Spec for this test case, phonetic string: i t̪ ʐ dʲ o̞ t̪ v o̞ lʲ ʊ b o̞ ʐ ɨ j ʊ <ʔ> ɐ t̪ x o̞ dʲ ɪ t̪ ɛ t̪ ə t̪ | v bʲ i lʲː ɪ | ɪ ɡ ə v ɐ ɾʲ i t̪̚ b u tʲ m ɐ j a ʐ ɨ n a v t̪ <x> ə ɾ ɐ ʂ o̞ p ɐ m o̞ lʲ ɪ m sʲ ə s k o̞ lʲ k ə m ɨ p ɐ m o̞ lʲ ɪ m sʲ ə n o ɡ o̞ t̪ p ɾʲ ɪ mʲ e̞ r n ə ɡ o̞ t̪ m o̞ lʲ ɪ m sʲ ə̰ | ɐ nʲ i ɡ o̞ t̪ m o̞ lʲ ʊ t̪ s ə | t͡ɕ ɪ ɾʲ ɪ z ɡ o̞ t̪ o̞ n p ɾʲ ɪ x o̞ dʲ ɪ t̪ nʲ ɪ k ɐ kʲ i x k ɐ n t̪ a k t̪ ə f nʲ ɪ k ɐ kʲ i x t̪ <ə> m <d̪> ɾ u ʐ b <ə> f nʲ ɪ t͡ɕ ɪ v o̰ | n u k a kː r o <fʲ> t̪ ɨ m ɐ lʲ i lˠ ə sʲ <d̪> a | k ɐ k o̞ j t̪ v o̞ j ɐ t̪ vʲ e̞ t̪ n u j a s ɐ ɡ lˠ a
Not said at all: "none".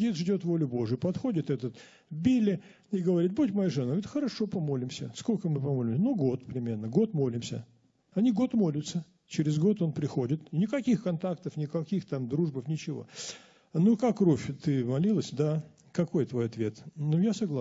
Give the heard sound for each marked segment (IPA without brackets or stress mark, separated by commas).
p, x, a, d̪, ə, fʲ, d̪